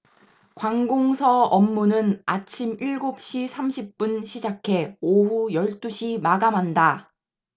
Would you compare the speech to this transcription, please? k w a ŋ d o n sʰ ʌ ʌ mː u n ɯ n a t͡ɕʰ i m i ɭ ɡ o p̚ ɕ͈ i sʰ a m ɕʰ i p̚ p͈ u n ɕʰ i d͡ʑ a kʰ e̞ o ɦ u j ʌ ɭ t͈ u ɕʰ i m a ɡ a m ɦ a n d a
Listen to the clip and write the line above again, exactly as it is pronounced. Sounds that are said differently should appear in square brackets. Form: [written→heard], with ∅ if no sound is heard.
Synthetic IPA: k w a ŋ [d→ɡ] o [n→ŋ] sʰ ʌ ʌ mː u n ɯ n a t͡ɕʰ i m i ɭ ɡ o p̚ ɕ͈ i sʰ a m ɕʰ i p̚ p͈ u n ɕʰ i d͡ʑ a kʰ e̞ o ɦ u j ʌ ɭ t͈ u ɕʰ i m a ɡ a m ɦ a n d a